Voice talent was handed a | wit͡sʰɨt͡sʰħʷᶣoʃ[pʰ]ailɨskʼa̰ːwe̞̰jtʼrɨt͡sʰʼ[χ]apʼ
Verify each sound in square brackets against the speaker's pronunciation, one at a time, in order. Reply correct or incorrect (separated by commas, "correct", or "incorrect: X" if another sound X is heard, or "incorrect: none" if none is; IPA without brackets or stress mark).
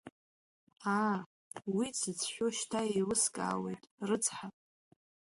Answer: incorrect: tʰ, incorrect: ħ